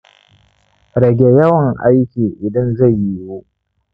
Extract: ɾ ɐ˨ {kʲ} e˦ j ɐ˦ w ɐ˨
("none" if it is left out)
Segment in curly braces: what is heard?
ɡʲ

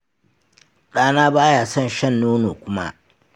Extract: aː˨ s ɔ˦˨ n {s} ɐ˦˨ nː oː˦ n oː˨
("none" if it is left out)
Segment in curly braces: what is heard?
ʃ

